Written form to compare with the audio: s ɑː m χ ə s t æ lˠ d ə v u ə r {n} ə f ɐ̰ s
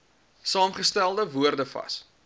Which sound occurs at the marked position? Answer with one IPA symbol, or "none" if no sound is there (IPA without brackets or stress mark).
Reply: d